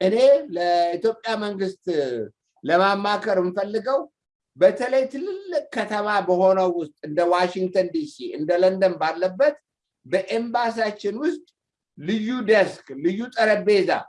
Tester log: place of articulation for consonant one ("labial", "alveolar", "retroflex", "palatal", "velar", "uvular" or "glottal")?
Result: glottal